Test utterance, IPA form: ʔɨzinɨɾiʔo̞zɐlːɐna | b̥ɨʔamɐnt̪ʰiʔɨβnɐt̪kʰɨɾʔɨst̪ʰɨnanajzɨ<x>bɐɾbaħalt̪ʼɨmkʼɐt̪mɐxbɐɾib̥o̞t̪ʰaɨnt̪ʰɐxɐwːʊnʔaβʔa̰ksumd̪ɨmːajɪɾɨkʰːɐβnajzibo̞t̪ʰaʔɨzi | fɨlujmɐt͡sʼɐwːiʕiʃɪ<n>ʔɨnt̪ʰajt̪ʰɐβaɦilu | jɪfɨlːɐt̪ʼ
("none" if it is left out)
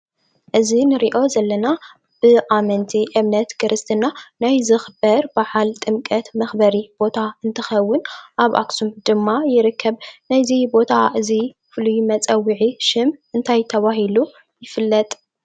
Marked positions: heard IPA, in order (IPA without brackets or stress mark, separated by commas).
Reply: x, m